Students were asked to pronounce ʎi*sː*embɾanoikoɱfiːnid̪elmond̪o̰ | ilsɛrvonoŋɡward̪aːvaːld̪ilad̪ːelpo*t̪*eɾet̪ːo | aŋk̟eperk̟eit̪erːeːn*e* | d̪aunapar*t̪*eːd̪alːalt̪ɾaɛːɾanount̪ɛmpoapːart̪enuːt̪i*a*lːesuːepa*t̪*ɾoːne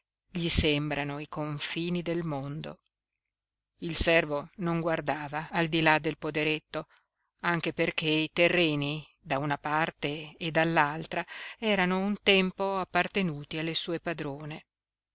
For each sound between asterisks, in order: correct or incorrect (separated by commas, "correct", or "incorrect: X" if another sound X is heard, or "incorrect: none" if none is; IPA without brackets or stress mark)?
incorrect: s, incorrect: d̪, incorrect: i, correct, correct, incorrect: d̪